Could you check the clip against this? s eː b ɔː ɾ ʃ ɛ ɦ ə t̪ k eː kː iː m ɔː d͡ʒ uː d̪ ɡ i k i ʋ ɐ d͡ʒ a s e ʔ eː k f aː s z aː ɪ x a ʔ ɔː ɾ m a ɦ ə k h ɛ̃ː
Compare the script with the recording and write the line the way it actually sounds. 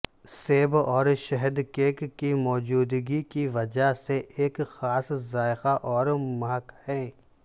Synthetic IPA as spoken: s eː b ɔː ɾ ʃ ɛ ɦ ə d̪ k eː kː i m ɔː d͡ʒ uː d̪ ɡ i k i ʋ ɐ d͡ʒ a s e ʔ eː k x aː s z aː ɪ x a ʔ ɔː ɾ m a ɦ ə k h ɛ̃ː